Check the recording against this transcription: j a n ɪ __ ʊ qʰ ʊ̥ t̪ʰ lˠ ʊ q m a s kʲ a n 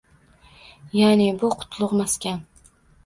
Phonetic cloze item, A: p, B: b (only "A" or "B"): B